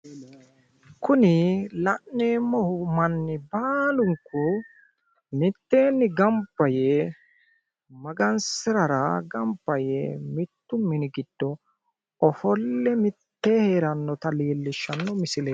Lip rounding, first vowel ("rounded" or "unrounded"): rounded